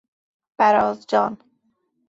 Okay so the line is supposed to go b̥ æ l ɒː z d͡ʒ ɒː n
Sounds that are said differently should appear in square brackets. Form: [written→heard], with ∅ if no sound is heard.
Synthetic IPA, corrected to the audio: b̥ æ [l→ɾ] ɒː z d͡ʒ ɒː n